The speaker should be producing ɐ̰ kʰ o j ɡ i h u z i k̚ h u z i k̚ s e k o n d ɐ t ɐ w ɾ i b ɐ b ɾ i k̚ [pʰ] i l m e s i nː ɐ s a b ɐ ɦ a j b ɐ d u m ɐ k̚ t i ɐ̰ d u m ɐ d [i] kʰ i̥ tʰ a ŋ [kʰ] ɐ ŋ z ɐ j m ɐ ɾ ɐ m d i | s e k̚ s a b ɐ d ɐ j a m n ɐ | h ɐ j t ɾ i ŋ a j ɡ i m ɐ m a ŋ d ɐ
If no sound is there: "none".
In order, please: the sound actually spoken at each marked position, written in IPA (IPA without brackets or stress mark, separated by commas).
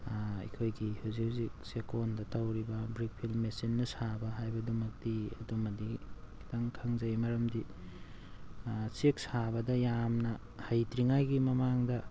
pʰ, i, kʰ